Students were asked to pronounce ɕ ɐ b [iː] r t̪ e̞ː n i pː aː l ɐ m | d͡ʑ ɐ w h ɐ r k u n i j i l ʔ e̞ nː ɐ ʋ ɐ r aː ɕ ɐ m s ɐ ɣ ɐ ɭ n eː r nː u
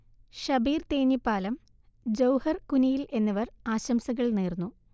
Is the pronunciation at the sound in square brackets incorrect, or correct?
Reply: correct